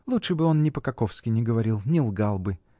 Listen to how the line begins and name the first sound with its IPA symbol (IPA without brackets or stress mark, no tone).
lˠ